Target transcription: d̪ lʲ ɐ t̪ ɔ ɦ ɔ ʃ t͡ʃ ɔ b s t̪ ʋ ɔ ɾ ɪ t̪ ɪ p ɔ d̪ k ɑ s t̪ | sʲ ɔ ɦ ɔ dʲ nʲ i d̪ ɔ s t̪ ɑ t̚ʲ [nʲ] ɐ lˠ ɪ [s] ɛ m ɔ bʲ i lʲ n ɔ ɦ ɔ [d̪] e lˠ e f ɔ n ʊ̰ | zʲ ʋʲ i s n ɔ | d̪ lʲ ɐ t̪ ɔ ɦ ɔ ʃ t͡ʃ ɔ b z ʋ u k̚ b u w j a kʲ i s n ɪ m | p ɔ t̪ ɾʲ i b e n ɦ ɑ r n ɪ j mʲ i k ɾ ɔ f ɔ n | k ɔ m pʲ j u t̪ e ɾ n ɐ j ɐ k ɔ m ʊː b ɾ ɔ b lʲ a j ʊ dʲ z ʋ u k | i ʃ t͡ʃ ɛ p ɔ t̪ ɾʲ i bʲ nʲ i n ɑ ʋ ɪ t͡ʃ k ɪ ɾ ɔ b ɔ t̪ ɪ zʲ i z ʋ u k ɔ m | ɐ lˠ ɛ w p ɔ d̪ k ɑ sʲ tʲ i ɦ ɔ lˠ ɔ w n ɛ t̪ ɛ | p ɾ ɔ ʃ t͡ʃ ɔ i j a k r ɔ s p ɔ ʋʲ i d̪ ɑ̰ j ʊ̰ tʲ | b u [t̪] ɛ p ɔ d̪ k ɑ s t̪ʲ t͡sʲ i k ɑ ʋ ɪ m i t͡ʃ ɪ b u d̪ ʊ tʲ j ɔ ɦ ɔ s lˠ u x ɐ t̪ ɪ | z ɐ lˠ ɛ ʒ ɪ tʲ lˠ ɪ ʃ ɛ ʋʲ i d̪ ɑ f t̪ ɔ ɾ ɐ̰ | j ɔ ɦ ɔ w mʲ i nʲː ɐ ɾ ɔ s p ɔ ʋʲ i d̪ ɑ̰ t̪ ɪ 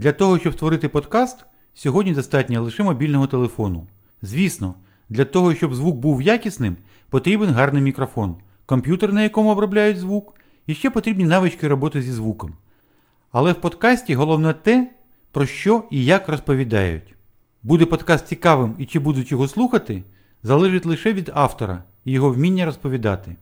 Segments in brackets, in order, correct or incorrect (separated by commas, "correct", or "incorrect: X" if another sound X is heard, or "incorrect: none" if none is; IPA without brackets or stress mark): correct, incorrect: ʃ, incorrect: t̪, incorrect: d̪